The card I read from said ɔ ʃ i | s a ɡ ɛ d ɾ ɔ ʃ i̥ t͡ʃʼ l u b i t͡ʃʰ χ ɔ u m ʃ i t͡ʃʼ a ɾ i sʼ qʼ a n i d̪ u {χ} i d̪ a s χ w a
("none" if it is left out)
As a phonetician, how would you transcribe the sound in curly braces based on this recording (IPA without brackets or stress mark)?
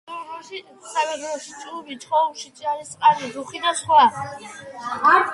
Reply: χ